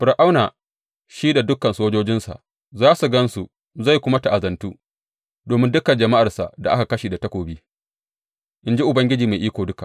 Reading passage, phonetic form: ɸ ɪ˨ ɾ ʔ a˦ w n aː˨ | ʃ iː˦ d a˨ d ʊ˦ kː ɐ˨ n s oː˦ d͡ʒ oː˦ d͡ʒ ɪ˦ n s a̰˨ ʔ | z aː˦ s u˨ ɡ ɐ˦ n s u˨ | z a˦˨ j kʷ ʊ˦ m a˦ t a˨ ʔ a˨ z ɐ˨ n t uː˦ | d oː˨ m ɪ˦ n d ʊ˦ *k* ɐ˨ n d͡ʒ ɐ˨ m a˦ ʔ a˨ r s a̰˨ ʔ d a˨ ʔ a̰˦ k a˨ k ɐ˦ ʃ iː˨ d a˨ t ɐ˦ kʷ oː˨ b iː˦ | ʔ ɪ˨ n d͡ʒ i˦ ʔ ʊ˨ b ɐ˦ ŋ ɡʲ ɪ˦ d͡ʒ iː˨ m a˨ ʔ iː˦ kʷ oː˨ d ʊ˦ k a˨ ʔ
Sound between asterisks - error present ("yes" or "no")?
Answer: no